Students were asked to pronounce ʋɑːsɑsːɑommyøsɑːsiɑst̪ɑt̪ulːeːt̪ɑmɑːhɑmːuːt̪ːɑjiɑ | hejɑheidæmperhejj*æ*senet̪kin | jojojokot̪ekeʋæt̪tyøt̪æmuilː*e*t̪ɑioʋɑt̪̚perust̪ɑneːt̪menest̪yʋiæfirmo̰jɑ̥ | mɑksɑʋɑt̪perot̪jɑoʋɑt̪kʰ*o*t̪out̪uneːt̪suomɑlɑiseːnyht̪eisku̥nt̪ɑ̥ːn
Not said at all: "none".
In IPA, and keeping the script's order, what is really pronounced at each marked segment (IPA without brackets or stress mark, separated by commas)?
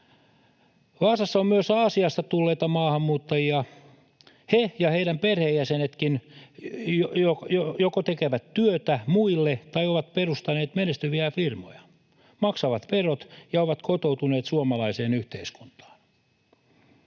æ, e, o